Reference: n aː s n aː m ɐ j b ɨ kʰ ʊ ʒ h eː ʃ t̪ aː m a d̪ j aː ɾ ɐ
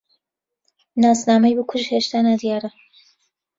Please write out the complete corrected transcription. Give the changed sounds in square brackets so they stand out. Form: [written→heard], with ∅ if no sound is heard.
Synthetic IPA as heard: n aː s n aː m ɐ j b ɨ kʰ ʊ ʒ h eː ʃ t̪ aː [m→n] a d̪ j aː ɾ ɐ